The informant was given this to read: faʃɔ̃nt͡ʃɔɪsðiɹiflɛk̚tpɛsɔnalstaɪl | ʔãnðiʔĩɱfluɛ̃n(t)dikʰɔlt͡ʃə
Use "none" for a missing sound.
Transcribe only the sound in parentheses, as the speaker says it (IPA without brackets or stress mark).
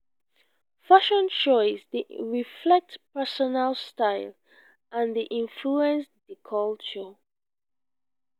s